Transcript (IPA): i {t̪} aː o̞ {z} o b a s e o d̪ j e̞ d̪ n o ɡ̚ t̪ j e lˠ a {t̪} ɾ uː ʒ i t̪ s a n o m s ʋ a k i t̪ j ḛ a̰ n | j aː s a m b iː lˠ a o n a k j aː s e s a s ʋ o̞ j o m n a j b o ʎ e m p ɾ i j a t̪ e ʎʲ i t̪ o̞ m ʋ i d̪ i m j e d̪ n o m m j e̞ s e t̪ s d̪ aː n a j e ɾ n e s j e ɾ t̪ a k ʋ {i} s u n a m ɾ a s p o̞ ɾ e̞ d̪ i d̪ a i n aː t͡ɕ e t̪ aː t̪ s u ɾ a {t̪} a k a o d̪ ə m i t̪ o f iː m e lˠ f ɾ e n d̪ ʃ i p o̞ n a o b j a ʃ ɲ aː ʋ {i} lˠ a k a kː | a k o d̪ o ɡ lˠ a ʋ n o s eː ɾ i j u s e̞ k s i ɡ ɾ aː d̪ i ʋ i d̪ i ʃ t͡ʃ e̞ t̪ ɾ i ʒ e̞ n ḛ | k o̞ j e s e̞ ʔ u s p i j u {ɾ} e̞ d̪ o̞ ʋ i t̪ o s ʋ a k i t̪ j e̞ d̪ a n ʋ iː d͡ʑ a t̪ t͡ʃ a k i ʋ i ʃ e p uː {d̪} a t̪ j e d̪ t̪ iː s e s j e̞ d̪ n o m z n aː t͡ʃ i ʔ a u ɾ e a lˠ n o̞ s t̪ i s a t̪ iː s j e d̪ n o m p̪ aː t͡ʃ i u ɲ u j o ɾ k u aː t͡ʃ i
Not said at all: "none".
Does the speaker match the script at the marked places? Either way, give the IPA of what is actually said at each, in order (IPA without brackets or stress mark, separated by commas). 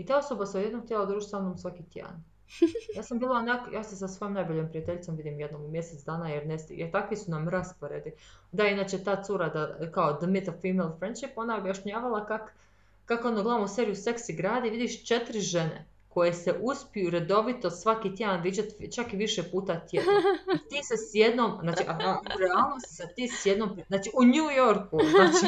t̪, s, d̪, i, d̪, a, ɾ, t̪